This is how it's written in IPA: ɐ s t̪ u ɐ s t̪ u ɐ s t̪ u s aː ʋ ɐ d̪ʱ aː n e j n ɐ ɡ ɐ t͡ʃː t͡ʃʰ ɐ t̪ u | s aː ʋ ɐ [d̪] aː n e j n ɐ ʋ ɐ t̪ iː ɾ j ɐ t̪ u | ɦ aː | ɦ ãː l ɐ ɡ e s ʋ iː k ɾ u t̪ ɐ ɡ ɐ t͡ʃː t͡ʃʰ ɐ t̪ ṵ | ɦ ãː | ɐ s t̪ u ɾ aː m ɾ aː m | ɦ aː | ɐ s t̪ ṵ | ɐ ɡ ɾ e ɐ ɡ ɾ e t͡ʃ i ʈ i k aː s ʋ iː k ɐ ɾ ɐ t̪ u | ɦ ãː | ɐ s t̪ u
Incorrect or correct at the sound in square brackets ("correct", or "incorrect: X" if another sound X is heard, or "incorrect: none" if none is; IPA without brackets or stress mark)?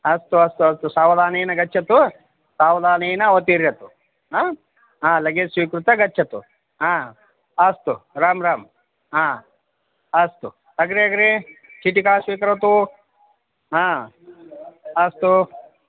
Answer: correct